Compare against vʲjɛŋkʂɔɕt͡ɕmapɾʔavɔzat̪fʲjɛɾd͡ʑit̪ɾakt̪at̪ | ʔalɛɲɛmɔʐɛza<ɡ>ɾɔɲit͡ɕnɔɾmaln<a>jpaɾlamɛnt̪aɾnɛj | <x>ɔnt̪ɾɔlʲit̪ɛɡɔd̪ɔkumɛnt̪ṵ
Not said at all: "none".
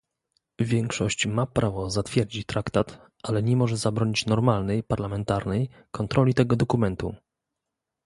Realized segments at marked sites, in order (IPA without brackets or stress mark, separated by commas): b, ɛ, k